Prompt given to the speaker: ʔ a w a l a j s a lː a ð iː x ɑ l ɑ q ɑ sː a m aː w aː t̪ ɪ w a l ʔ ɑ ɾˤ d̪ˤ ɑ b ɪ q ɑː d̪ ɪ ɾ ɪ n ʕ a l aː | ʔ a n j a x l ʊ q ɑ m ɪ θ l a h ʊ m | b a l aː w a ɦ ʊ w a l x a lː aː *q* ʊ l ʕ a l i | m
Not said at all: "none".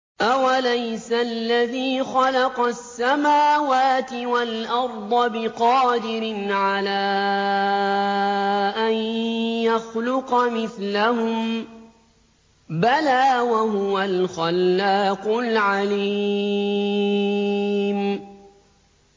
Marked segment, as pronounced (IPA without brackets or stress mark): q